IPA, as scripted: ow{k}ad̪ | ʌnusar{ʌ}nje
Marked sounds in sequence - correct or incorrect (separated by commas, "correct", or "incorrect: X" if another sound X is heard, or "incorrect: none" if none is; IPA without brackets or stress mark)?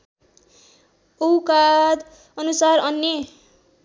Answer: correct, correct